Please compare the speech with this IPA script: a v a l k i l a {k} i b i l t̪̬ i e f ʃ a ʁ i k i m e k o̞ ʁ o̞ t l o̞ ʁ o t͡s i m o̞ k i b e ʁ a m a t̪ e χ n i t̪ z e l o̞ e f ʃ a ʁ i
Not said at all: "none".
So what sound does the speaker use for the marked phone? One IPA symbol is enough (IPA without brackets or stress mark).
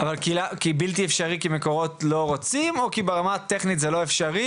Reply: k